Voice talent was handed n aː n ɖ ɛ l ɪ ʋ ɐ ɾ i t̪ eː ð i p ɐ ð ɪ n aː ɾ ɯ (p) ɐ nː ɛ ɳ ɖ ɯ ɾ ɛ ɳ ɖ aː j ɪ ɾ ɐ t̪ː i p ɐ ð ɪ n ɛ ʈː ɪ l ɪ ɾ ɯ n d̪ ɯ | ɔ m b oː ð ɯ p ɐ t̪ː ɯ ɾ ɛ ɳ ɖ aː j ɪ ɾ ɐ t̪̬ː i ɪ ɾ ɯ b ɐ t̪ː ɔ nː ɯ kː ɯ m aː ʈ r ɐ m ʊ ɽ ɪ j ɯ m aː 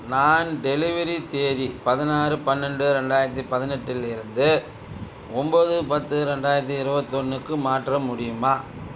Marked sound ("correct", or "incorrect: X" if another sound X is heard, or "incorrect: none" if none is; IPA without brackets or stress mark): correct